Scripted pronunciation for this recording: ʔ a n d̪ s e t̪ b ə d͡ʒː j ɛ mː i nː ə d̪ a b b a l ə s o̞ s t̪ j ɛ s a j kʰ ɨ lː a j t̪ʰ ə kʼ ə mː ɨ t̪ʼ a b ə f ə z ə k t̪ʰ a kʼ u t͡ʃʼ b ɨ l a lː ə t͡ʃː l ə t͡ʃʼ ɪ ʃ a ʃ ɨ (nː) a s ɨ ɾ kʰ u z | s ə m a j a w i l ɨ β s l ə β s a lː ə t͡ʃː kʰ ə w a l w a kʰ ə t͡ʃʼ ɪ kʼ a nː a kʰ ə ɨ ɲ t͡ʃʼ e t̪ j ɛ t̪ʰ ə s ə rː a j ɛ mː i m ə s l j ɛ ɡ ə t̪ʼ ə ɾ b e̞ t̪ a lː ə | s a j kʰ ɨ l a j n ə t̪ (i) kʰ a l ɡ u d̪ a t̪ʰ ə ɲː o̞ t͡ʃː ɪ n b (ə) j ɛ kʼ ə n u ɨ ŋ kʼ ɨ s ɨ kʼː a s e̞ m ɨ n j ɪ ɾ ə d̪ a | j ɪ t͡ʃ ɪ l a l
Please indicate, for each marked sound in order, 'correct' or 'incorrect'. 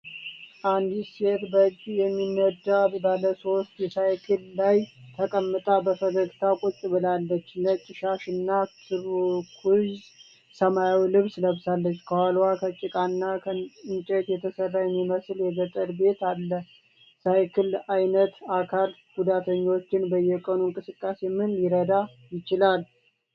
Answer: correct, incorrect, correct

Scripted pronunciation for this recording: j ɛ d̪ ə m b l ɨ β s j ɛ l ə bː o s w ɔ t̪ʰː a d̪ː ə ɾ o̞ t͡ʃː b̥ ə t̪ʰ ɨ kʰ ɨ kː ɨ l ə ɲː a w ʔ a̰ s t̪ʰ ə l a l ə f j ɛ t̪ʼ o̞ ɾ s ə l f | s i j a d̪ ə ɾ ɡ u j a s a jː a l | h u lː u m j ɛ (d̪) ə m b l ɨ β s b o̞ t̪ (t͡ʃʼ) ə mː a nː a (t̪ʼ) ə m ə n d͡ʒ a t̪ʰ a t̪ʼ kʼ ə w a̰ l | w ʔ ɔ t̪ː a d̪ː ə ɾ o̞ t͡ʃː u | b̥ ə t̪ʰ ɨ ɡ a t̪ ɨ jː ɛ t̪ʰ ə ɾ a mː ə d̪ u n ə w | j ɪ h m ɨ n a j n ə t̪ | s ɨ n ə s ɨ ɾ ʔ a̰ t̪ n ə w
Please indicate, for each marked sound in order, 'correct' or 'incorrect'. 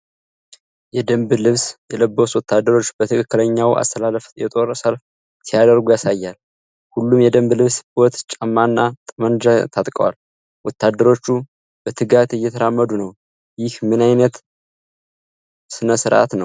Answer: correct, correct, correct

